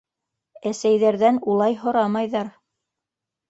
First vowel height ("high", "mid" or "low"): low